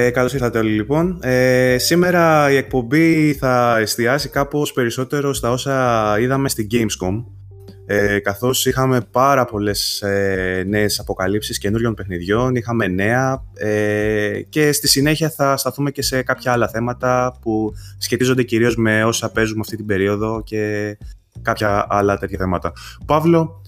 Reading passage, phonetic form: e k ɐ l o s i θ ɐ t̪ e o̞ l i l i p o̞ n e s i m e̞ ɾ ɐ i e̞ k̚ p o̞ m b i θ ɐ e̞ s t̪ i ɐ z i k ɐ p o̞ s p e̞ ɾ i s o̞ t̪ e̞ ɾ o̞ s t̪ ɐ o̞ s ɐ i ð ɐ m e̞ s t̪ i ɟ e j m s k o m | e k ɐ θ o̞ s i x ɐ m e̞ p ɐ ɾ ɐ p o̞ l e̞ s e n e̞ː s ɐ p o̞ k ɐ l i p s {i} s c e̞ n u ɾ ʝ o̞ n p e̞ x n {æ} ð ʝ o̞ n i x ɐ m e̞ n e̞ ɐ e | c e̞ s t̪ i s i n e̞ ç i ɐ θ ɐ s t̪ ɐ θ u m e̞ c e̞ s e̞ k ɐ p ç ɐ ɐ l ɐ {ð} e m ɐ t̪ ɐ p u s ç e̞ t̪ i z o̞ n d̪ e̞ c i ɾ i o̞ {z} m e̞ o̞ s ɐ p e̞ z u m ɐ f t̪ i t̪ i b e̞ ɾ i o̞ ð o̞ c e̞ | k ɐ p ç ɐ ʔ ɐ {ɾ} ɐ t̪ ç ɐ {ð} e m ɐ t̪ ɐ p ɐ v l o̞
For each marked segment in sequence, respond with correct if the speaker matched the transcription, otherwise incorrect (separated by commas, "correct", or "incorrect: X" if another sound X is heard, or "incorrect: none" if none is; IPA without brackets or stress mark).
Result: correct, incorrect: i, incorrect: θ, correct, incorrect: l, incorrect: θ